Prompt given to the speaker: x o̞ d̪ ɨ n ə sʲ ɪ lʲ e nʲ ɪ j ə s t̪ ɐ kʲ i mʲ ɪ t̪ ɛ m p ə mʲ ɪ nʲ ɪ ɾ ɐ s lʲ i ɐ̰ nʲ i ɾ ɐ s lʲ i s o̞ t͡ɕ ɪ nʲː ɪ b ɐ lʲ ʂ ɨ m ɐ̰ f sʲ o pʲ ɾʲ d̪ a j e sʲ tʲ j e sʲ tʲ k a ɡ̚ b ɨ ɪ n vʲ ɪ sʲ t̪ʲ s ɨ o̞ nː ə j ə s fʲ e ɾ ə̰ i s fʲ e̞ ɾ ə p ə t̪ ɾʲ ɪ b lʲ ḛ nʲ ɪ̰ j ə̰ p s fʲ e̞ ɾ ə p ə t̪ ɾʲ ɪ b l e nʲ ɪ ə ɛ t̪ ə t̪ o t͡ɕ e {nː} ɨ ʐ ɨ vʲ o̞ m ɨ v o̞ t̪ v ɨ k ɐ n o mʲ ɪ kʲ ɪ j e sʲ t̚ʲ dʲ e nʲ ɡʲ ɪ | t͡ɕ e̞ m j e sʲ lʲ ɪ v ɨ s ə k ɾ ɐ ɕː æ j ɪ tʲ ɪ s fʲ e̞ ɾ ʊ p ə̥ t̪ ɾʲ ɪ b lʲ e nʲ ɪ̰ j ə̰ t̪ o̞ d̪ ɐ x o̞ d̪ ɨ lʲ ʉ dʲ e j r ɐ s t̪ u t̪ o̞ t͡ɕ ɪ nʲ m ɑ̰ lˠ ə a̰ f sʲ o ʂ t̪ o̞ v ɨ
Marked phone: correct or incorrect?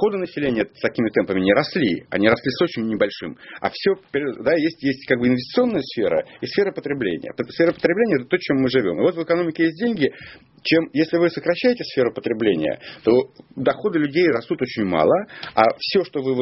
incorrect